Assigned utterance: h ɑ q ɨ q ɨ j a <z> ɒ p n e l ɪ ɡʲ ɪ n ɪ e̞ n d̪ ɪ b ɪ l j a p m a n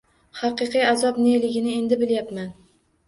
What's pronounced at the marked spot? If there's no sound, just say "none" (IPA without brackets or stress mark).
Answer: z